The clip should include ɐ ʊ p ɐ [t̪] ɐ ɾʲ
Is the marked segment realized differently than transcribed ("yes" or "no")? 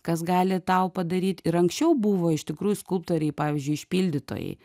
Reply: yes